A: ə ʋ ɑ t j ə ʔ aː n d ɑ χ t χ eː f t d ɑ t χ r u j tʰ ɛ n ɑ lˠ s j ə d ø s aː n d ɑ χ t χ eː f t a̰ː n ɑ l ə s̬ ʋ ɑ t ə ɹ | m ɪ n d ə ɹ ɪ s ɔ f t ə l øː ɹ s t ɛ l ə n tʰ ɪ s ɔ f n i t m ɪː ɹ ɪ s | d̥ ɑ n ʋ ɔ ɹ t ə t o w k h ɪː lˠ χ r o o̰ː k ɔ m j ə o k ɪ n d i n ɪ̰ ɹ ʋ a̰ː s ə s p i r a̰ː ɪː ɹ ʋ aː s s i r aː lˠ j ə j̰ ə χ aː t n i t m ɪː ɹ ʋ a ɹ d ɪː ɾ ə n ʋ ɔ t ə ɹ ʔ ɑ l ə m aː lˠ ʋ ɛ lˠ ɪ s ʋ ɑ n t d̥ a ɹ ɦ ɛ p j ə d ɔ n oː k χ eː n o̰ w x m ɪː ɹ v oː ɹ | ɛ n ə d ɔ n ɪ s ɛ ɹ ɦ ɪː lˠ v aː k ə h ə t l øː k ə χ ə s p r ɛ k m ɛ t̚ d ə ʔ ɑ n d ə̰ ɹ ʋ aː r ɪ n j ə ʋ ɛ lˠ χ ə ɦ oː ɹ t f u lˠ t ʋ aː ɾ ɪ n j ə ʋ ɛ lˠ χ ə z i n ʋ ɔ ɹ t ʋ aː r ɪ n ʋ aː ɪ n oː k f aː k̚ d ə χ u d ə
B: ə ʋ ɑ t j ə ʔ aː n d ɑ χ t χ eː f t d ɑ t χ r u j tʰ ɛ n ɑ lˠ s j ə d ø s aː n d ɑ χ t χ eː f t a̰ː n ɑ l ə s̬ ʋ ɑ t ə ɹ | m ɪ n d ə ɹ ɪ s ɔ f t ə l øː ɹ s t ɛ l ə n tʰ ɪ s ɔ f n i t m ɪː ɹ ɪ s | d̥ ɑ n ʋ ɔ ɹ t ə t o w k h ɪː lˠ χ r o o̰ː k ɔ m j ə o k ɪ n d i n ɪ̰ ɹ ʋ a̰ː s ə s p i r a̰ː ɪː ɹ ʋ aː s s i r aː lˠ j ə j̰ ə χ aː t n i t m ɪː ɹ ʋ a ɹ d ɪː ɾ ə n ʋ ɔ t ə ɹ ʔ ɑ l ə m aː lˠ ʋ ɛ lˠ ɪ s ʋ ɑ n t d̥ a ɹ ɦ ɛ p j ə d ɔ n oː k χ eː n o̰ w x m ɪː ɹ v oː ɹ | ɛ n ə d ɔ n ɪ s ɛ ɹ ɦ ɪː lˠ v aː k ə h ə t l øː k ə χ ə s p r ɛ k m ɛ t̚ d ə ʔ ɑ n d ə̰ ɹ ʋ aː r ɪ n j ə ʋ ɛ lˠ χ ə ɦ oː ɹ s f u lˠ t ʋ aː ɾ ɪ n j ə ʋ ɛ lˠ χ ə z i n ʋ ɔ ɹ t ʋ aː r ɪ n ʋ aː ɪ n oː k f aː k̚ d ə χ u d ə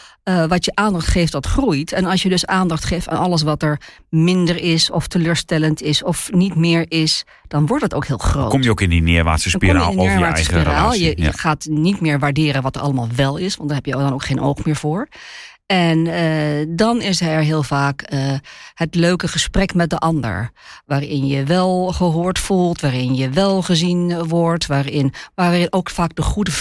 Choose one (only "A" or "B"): A